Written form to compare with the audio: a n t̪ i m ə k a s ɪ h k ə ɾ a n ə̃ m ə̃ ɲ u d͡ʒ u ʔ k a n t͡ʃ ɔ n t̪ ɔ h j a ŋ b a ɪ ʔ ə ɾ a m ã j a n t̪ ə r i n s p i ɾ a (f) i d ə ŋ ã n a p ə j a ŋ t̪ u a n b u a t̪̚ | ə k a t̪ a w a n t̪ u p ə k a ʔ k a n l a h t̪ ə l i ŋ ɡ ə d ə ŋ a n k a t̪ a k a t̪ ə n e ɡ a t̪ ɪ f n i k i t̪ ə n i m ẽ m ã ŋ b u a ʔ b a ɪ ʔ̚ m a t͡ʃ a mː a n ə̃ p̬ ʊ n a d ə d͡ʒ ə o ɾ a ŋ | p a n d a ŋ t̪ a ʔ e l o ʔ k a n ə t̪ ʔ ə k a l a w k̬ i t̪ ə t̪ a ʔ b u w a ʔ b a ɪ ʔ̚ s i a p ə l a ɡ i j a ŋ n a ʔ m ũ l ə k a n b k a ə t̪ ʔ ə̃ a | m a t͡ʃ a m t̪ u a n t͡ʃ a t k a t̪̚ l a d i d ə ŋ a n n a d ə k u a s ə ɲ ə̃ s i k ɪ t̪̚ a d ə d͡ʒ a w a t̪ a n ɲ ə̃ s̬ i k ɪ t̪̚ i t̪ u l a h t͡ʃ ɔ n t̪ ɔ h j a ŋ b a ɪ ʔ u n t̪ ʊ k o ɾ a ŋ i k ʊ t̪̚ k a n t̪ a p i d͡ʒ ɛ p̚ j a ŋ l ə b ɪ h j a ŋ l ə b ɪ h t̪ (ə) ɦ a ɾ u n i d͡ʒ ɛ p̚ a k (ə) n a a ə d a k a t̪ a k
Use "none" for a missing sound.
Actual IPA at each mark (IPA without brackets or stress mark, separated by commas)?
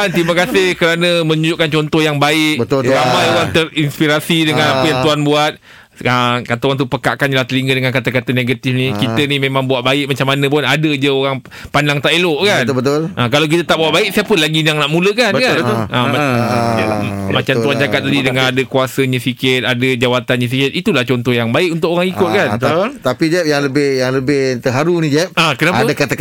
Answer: s, ə, ə